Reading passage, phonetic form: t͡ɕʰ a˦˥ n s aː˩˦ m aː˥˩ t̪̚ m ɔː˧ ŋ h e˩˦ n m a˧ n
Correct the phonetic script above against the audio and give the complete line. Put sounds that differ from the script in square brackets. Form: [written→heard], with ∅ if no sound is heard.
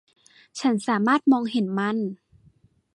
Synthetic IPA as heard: t͡ɕʰ a˦˥ n s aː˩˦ m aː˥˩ t̪̚ m ɔː˧ ŋ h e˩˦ n m [a˧→a˥˩] n